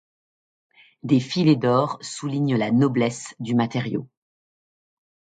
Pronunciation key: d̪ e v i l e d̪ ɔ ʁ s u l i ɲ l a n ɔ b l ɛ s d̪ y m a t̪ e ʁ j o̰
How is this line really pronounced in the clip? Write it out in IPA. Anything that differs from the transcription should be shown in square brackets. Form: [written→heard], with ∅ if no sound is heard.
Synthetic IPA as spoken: d̪ e [v→f] i l e d̪ ɔ ʁ s u l i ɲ l a n ɔ b l ɛ s d̪ y m a t̪ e ʁ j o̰